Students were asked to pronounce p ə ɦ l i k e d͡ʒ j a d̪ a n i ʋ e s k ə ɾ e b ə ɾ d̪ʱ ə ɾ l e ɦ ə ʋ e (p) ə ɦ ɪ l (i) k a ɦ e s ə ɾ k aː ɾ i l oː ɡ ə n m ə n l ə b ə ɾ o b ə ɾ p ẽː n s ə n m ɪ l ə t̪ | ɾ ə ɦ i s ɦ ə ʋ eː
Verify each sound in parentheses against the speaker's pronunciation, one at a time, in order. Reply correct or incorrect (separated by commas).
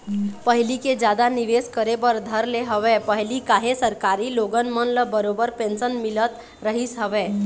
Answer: correct, correct